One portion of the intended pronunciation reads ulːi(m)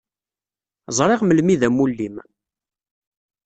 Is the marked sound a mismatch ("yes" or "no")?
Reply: no